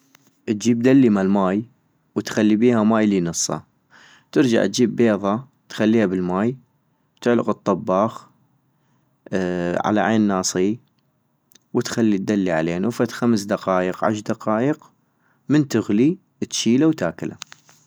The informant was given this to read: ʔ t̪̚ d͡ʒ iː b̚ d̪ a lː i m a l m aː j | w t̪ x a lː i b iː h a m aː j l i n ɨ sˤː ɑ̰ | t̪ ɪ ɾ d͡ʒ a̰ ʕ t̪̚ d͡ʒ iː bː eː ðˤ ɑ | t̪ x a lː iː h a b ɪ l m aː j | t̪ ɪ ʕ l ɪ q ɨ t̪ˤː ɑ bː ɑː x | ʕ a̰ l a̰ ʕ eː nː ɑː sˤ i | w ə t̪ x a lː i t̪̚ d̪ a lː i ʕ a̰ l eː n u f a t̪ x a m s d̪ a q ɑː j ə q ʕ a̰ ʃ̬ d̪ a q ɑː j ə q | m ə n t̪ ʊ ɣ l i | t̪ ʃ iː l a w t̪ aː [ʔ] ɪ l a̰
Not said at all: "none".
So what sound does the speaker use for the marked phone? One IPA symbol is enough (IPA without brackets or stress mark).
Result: k